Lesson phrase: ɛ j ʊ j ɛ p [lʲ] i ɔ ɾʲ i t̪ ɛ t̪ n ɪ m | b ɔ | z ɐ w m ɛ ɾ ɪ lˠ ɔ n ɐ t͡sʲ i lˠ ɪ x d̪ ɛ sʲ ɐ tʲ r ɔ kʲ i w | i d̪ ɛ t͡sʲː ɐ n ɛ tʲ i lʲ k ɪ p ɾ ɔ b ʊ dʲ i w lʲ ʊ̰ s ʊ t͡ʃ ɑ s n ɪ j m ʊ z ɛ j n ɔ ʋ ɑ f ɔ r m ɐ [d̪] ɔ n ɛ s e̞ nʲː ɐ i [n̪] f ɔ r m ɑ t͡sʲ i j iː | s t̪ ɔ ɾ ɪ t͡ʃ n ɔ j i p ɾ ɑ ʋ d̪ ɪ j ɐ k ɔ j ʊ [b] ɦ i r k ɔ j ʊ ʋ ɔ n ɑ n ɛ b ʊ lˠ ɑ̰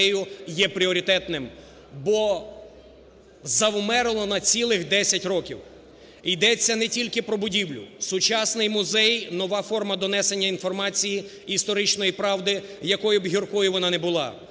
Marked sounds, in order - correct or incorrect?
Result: incorrect: ɾʲ, correct, correct, correct

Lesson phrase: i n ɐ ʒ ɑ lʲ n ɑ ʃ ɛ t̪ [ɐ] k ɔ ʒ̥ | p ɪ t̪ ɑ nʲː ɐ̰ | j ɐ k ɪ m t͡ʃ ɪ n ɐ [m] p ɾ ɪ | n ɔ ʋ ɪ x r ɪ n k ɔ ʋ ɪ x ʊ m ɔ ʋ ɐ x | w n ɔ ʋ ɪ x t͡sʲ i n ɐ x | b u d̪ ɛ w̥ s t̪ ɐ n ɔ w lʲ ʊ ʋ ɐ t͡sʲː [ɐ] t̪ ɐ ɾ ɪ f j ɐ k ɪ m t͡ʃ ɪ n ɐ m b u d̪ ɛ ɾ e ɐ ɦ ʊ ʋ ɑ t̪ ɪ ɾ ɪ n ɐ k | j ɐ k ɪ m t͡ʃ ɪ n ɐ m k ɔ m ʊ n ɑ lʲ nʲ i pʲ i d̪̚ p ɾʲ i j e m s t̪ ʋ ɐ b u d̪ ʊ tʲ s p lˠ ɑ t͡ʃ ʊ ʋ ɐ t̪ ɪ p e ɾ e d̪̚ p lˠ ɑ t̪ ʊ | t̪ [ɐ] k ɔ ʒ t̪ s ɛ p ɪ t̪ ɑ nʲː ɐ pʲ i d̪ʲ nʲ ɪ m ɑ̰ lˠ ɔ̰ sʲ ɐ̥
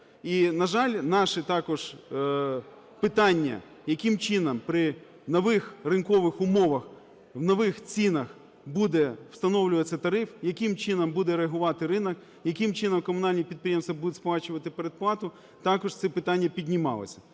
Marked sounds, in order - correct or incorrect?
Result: incorrect: ɑ, correct, correct, incorrect: ɑ

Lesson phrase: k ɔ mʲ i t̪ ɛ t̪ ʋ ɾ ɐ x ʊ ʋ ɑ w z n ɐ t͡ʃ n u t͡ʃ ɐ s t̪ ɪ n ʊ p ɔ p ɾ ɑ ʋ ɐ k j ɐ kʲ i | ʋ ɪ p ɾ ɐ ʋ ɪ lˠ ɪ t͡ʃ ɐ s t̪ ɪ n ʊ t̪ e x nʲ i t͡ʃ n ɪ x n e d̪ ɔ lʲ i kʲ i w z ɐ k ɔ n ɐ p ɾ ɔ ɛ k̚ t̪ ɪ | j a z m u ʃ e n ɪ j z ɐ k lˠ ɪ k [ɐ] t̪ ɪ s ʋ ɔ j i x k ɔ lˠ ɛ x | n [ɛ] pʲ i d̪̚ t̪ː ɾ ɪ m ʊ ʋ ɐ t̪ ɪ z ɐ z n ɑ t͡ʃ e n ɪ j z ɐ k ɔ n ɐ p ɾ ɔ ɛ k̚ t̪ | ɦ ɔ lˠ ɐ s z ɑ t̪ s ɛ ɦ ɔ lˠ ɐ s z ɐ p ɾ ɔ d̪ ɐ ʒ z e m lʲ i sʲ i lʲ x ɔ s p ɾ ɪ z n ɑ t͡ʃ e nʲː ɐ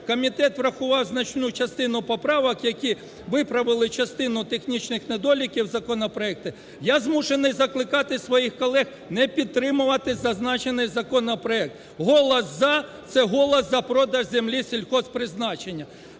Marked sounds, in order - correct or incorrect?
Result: incorrect: ɑ, correct

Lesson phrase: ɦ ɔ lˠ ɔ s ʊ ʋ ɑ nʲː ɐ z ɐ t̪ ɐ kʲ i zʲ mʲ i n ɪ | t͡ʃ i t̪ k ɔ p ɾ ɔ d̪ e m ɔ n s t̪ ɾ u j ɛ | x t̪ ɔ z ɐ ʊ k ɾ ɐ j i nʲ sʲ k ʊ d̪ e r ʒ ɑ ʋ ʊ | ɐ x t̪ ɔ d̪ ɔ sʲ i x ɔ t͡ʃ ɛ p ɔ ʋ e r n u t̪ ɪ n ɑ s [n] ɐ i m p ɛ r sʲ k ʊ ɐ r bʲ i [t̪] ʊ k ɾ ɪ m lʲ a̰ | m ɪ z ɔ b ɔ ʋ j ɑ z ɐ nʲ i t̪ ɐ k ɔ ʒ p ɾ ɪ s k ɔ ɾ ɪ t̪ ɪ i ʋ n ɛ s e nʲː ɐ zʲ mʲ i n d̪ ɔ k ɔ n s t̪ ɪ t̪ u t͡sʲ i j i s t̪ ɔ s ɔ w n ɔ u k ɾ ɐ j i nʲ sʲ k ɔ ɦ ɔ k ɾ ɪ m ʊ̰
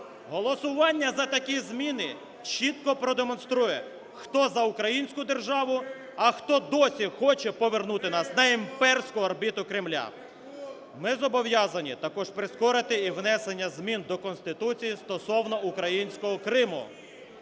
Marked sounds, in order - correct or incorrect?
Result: correct, correct

